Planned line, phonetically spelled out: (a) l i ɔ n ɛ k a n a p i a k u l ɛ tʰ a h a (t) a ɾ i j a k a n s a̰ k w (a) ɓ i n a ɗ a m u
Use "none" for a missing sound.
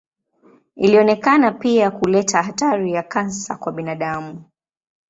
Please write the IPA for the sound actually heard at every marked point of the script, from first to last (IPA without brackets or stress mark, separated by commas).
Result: i, t, a